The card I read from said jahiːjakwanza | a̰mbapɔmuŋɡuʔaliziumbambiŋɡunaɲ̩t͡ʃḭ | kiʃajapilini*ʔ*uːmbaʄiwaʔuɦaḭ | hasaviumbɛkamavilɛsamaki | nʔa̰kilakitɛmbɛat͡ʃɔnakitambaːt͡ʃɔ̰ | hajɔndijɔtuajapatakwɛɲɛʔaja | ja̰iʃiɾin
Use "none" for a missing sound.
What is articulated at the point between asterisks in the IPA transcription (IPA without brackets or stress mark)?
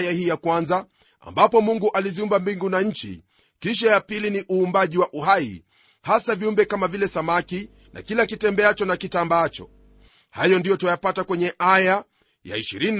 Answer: ʔ